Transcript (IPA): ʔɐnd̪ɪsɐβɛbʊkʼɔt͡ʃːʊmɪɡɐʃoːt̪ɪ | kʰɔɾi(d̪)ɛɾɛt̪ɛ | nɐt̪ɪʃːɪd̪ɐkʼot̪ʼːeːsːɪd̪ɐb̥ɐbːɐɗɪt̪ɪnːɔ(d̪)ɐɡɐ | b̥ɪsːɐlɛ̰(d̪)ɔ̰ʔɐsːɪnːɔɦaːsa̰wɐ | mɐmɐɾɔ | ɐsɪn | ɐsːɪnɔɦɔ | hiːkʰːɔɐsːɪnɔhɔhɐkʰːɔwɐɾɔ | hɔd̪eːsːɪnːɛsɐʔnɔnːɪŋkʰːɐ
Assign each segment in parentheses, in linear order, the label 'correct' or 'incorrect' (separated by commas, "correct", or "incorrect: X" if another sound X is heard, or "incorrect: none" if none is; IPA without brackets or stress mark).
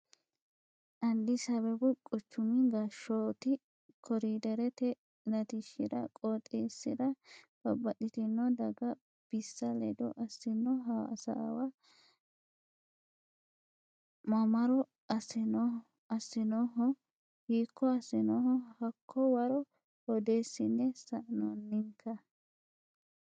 correct, correct, correct